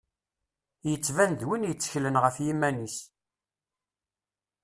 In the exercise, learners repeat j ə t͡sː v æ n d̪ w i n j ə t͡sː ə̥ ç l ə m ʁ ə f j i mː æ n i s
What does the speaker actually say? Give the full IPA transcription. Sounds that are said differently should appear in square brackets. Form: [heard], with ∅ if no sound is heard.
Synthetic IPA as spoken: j ə t͡sː v æ n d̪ w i n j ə t͡sː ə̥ ç l ə [n] ʁ ə f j i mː æ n i s